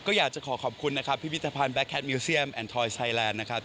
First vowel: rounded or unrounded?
rounded